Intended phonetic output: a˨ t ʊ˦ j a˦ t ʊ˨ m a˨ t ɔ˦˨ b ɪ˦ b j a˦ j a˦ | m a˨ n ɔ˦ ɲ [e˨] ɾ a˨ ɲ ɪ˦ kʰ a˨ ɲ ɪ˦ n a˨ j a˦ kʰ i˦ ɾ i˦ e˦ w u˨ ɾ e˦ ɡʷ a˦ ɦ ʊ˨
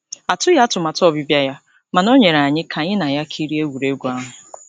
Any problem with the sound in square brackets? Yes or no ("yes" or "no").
no